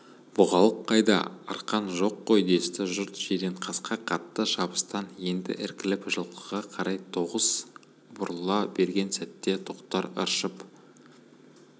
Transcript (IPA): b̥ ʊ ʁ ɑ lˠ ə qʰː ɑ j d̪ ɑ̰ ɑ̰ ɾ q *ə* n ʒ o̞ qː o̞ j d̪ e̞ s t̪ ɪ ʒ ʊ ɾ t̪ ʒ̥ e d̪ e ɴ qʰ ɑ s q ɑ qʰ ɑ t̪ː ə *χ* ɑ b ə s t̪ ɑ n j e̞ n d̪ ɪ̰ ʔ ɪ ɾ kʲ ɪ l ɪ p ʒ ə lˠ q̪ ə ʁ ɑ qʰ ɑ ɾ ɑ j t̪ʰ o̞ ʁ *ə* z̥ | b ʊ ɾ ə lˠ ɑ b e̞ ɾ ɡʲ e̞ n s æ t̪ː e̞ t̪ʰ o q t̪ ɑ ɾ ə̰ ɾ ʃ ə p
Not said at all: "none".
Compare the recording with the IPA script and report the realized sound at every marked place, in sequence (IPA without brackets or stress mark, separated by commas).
ɑ, ʃ, ə